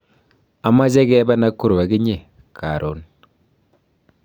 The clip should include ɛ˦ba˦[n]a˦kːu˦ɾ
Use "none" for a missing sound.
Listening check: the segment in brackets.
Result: n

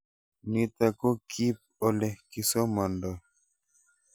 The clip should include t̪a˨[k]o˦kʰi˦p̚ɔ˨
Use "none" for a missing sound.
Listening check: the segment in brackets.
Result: k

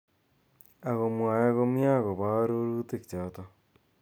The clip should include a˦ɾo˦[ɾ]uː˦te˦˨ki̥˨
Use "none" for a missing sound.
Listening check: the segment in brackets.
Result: ɾ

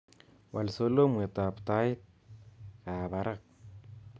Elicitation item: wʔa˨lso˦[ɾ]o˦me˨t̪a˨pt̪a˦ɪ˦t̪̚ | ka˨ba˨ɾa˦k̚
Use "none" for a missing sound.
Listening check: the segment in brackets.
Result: l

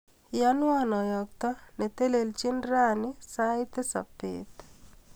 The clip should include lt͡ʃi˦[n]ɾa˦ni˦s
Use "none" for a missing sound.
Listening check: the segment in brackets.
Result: n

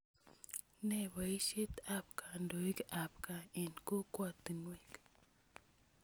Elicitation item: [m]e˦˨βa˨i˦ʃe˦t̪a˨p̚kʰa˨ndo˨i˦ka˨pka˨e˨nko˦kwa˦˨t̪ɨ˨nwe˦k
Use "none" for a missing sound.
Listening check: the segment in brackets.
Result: n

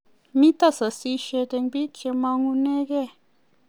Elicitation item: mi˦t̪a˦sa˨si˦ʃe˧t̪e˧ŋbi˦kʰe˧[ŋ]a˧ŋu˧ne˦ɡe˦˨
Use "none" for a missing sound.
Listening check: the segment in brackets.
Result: m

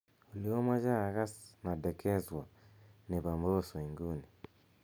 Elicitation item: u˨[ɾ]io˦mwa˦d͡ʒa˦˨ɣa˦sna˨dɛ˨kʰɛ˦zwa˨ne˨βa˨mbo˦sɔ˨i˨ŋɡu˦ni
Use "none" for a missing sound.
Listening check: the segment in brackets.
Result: l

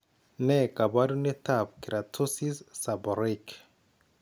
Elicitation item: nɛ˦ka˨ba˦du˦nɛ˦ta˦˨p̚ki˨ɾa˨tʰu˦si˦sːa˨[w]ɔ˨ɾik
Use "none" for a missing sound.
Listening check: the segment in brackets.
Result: b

